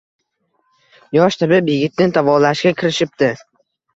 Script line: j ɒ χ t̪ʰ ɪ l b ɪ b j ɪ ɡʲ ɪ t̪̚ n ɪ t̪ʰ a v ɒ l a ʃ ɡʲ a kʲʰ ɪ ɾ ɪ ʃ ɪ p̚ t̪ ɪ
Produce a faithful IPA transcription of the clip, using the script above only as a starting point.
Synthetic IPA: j ɒ ʃ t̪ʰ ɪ b ɪ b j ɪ ɡʲ ɪ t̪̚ n ɪ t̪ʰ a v ɒ l a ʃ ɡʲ a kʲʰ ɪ ɾ ɪ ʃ ɪ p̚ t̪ ɪ